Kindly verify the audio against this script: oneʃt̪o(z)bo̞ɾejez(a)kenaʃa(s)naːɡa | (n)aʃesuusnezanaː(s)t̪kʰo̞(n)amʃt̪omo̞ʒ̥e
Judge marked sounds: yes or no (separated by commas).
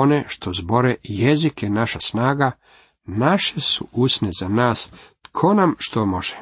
yes, no, yes, yes, yes, yes